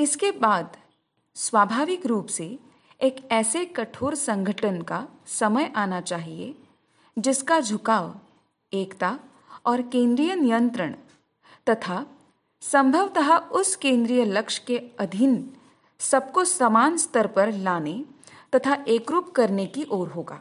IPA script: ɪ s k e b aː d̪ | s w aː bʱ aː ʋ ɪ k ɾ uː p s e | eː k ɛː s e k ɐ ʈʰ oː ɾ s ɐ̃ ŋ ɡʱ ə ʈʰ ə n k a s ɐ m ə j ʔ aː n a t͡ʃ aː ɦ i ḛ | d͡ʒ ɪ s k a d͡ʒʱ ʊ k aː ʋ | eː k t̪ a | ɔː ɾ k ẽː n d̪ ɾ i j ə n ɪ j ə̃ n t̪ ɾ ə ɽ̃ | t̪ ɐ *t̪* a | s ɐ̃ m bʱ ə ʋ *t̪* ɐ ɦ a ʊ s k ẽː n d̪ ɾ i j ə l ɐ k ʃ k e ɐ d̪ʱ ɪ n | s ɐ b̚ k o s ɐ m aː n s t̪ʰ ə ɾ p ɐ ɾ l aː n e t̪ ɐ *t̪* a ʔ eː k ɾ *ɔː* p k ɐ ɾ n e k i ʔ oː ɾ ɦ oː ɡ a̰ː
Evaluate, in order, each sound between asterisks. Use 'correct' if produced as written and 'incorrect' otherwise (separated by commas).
incorrect, correct, incorrect, incorrect